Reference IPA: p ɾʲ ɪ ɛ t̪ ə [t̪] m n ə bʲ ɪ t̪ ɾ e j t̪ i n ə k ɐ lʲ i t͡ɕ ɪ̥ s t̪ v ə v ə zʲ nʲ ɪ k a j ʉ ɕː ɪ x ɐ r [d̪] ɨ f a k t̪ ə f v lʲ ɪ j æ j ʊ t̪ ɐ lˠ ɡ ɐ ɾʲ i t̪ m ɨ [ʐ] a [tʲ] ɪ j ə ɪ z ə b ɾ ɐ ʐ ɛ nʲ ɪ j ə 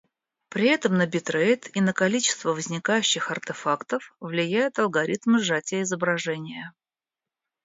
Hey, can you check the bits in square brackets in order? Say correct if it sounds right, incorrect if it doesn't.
incorrect, incorrect, correct, correct

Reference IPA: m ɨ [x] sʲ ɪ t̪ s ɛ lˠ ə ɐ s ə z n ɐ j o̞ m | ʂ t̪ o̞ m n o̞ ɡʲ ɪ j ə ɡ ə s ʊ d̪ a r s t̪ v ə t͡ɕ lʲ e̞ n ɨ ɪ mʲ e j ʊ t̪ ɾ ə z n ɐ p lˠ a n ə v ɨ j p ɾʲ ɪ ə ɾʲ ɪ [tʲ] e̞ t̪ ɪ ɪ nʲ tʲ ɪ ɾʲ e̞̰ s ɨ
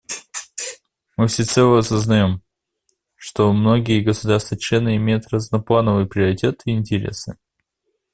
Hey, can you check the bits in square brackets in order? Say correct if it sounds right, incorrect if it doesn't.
incorrect, correct

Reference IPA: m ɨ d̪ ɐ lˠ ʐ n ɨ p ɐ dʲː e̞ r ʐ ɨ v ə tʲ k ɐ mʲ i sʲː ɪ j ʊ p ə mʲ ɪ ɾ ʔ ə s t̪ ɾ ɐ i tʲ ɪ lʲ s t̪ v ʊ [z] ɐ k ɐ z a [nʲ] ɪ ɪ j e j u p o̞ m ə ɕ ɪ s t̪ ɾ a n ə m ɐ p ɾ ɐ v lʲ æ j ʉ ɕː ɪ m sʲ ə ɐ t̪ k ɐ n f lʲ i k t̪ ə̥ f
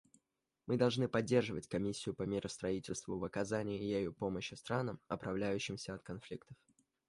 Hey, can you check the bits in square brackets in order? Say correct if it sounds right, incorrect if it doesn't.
incorrect, correct

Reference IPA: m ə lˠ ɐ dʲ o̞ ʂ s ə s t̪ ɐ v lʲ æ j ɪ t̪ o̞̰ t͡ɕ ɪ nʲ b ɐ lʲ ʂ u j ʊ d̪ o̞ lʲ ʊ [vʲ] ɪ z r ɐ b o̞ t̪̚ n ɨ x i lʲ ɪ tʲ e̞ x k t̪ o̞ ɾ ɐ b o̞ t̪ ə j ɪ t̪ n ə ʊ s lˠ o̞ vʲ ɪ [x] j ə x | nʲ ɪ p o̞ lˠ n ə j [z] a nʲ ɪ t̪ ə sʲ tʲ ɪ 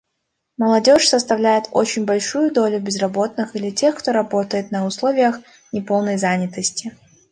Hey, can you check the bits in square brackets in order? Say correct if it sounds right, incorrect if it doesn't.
incorrect, incorrect, correct

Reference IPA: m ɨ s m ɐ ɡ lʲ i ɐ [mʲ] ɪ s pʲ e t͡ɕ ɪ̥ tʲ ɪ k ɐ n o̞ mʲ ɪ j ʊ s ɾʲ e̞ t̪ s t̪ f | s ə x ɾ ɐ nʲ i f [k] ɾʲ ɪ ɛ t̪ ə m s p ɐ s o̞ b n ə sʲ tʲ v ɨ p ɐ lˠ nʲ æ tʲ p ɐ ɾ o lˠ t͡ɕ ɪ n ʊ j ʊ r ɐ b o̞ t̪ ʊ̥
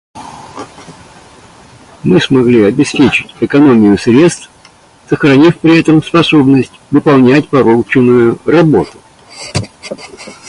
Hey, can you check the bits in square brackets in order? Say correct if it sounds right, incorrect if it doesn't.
incorrect, incorrect

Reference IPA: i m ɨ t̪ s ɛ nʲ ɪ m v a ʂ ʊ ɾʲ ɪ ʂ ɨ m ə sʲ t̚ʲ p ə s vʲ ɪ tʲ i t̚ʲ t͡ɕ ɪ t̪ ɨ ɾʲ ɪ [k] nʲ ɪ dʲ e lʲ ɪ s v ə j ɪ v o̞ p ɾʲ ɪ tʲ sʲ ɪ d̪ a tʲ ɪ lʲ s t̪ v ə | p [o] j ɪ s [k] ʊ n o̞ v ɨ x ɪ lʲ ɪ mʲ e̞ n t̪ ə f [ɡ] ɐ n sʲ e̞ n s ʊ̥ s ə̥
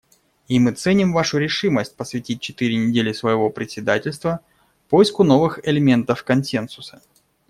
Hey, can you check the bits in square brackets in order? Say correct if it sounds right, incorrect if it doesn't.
incorrect, correct, correct, incorrect

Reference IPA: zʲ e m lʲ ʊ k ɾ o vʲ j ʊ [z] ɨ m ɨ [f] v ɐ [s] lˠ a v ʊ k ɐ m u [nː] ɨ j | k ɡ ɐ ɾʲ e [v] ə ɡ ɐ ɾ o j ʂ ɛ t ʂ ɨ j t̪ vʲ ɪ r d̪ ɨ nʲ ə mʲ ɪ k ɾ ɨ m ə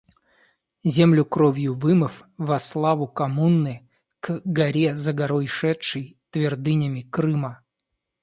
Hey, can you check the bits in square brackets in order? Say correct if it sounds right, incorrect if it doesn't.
incorrect, correct, correct, correct, incorrect

